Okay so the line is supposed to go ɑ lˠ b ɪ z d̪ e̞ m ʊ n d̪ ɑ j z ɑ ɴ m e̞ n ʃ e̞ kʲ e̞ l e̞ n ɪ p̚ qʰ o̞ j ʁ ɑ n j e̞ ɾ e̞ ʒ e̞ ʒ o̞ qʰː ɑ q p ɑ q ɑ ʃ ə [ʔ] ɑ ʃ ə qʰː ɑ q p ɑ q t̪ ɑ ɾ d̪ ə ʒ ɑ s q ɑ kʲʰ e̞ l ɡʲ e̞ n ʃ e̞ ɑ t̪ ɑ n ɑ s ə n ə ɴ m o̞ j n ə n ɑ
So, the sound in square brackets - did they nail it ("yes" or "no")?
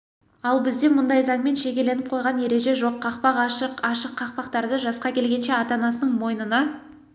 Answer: no